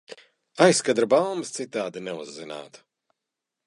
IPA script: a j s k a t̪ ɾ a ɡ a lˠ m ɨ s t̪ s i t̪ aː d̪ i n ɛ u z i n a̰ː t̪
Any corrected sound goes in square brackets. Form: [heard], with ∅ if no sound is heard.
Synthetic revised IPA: a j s k a [d̪] ɾ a [b] a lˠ m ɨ s t̪ s i t̪ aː d̪ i n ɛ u [zː] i n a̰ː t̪